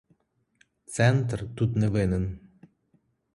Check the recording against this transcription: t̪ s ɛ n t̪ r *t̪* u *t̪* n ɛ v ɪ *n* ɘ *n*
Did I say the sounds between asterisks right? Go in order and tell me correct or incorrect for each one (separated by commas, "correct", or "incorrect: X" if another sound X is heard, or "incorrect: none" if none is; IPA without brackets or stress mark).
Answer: correct, correct, correct, correct